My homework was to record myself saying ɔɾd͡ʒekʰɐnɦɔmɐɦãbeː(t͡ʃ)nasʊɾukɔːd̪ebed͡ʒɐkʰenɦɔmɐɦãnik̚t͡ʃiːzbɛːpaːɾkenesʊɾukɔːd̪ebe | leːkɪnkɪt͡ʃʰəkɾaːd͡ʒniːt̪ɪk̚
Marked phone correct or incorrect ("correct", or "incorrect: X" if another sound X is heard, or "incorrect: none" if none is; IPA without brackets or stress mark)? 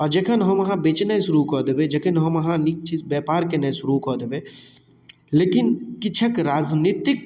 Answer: correct